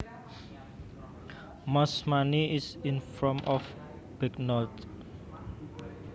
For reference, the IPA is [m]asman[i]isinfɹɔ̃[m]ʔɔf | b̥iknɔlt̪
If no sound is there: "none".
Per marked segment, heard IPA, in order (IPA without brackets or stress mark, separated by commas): m, i, m